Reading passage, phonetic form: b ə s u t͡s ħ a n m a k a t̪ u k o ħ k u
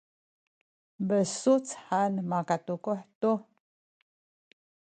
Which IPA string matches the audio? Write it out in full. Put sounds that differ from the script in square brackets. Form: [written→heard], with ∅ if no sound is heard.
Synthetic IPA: b ə s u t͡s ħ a n m a k a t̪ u k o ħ [k→t] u